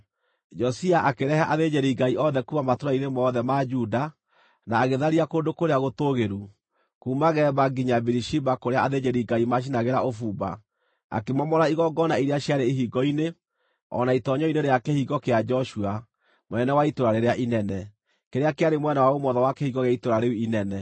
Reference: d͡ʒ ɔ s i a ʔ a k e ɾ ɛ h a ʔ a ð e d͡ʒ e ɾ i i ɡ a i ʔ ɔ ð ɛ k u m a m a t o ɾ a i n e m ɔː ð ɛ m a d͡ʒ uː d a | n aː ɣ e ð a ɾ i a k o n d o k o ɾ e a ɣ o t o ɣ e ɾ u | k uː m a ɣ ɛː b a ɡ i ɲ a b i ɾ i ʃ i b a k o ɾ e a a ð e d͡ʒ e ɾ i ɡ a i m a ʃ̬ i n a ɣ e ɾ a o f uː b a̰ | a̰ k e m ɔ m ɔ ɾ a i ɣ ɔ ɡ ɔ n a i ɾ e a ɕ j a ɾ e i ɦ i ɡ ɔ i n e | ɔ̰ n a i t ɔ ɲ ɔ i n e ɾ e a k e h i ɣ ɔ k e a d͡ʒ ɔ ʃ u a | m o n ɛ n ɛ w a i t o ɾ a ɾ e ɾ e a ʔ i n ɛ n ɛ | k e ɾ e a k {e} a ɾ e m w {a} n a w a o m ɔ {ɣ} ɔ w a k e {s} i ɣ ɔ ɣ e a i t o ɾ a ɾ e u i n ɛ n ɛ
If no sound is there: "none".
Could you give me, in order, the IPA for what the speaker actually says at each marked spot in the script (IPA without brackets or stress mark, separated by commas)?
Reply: e, ɛ, ð, h